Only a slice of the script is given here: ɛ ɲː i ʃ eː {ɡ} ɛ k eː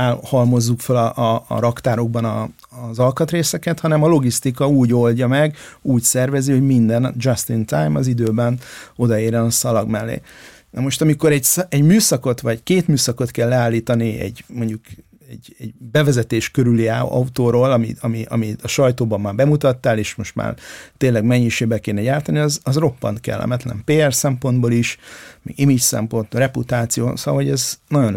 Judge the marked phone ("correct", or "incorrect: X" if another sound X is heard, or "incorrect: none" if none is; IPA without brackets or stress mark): incorrect: b